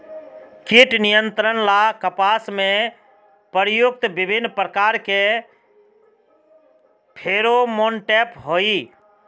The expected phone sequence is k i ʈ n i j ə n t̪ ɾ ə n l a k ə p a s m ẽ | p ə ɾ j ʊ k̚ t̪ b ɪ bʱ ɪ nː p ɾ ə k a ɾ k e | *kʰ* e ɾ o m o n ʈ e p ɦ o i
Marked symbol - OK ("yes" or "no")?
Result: no